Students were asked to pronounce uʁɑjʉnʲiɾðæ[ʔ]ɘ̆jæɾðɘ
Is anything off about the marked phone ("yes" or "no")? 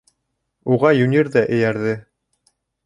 no